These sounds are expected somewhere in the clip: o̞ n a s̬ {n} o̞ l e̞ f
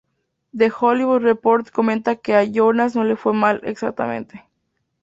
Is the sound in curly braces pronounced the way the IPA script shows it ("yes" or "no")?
yes